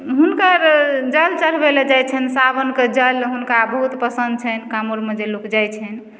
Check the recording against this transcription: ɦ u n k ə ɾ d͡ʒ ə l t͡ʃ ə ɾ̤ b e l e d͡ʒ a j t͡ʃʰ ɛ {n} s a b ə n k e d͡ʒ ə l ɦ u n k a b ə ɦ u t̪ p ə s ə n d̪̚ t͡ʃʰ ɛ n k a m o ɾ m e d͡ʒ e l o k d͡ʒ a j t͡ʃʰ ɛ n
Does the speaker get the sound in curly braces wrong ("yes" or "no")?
no